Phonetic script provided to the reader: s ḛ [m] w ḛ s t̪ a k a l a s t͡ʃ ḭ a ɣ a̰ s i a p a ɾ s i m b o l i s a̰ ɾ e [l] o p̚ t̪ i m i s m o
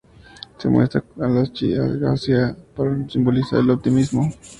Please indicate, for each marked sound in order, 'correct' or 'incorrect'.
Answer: correct, correct

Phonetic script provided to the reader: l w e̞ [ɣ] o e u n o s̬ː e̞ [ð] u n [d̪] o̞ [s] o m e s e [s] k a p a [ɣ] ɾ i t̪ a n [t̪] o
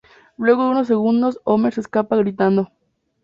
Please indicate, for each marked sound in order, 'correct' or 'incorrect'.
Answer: correct, incorrect, correct, correct, correct, correct, incorrect

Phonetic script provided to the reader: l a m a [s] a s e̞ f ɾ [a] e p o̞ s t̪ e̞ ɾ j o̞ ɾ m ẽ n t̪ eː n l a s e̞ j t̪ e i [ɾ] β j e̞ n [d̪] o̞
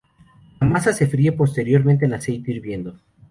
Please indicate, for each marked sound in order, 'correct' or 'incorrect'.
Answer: correct, incorrect, correct, correct

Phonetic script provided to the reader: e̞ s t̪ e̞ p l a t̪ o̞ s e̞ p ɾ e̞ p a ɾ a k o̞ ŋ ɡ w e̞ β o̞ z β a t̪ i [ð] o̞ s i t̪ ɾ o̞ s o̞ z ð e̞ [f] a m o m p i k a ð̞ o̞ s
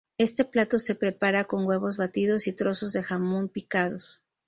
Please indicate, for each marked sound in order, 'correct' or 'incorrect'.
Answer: correct, incorrect

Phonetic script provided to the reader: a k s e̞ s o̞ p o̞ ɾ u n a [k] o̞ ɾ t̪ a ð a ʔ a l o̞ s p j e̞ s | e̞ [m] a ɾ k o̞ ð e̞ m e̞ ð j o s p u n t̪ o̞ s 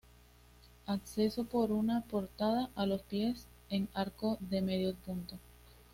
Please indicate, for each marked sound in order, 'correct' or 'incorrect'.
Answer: incorrect, incorrect

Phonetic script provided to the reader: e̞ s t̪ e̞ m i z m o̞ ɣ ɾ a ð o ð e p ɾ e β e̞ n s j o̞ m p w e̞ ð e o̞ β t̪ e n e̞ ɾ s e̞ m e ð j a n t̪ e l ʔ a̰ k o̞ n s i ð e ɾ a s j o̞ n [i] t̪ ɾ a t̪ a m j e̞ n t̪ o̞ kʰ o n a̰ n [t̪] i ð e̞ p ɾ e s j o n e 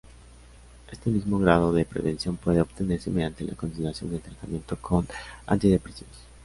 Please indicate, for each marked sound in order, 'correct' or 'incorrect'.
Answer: incorrect, correct

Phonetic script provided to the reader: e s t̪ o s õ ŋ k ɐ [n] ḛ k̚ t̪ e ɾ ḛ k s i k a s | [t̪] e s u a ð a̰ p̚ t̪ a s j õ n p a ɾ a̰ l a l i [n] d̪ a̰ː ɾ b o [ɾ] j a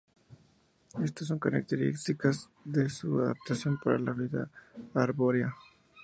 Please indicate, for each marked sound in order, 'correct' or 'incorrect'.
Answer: correct, incorrect, incorrect, correct

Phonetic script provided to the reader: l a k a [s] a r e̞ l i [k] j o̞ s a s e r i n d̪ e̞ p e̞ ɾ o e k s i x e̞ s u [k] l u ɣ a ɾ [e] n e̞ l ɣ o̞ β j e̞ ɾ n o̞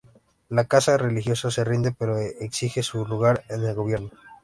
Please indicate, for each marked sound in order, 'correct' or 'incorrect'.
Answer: correct, incorrect, incorrect, correct

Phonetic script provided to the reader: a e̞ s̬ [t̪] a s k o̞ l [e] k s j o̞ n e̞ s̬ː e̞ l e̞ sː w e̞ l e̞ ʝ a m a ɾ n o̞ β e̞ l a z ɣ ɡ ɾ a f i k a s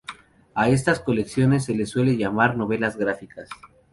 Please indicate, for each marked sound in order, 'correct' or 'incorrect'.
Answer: correct, correct

